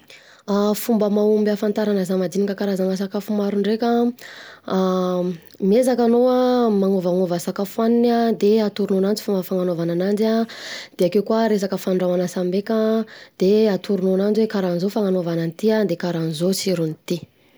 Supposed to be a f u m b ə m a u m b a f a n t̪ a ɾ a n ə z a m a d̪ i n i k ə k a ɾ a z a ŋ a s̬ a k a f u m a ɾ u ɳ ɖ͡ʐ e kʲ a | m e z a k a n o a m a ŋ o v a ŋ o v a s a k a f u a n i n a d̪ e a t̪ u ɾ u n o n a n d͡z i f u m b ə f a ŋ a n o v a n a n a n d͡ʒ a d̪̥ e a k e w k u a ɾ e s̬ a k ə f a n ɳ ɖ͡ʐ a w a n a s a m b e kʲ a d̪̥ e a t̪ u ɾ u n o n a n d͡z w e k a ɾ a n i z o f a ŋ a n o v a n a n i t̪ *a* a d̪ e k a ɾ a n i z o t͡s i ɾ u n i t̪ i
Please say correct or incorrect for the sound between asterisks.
incorrect: i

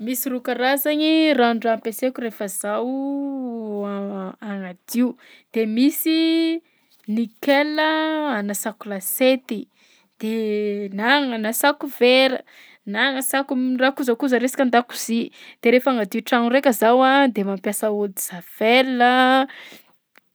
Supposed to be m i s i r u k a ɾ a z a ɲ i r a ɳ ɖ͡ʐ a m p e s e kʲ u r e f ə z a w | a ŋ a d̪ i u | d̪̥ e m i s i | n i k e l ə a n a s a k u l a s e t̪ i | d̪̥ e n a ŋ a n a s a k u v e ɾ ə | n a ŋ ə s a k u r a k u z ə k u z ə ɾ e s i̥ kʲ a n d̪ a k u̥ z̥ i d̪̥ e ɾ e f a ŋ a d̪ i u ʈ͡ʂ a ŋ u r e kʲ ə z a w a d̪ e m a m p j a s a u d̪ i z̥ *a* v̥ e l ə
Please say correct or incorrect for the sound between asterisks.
correct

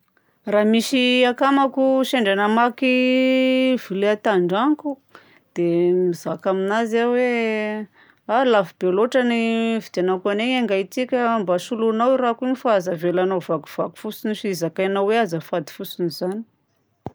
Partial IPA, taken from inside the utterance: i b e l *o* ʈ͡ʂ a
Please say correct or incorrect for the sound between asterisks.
correct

